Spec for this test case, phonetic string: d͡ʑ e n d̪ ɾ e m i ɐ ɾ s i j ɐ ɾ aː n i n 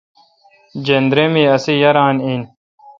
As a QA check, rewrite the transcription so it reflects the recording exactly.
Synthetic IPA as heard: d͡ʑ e n d̪ ɾ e m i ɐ s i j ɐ ɾ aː n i n

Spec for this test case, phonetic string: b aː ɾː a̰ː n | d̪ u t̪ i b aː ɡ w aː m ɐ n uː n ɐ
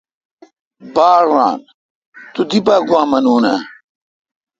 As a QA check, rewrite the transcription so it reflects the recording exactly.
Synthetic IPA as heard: b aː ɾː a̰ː n | t̪ u d̪ i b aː ɡ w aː m ɐ n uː n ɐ

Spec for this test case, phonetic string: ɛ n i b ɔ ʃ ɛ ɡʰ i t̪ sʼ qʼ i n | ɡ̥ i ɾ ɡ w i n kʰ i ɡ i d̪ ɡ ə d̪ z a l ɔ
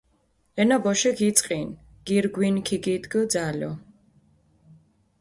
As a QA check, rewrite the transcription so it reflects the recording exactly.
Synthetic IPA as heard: ɛ n a b ɔ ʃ ɛ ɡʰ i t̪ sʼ qʼ i n | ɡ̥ i ɾ ɡ w i n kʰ i ɡ i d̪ ɡ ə d̪ z a l ɔ

